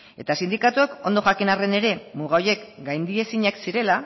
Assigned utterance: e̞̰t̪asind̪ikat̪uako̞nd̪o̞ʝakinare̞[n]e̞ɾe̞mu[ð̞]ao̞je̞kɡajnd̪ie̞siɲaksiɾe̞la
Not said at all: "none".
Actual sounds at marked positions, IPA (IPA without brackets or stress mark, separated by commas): n, ɣ̞